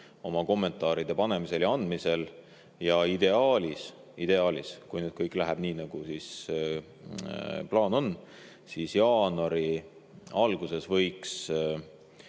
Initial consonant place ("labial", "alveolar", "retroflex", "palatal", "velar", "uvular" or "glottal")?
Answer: labial